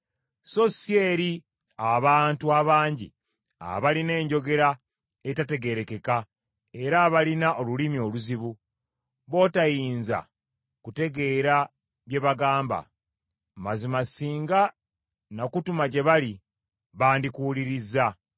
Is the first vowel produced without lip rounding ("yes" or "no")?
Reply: no